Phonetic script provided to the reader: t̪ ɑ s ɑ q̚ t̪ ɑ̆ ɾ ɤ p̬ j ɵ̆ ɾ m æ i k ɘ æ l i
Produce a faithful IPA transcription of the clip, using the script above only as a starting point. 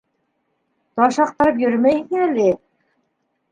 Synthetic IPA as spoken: t̪ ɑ ʃ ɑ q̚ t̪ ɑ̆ ɾ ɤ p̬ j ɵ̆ ɾ m æ j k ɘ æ l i